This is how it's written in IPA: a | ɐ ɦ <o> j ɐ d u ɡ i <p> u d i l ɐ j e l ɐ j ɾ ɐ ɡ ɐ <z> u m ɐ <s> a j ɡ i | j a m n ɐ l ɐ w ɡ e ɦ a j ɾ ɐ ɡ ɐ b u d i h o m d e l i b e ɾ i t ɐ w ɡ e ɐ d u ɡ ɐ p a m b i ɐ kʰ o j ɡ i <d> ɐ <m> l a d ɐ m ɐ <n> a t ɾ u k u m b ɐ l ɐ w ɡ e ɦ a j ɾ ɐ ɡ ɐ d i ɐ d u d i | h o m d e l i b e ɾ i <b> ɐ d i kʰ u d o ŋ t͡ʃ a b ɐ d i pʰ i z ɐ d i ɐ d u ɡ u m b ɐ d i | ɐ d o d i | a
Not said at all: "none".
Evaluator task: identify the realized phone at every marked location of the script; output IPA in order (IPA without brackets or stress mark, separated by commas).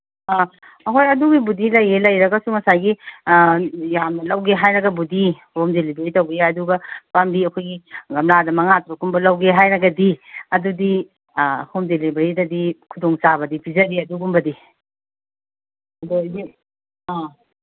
o, b, s, s, ɡ, m, ŋ, d